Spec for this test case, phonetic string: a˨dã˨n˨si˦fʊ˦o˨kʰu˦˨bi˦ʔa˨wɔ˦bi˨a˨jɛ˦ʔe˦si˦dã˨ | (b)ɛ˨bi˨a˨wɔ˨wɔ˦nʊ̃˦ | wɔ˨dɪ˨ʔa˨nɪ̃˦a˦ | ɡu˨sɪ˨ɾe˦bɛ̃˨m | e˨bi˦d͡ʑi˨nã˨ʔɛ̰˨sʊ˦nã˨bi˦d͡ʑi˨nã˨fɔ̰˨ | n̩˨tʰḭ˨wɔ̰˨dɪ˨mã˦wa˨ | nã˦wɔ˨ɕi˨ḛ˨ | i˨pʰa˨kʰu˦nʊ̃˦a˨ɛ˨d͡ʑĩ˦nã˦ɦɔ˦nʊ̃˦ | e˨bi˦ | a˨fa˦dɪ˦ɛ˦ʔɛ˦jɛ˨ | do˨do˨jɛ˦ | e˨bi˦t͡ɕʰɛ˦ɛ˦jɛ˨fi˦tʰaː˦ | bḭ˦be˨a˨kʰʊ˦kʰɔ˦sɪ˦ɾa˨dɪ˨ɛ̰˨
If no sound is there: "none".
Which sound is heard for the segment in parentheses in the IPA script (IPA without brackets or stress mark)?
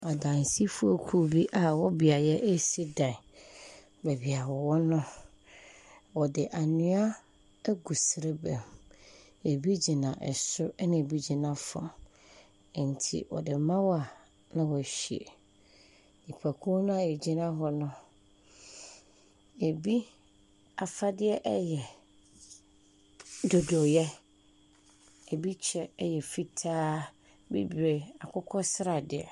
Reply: b